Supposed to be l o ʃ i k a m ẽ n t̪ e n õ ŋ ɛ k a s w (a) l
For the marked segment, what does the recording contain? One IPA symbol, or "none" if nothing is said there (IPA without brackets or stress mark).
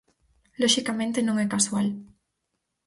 a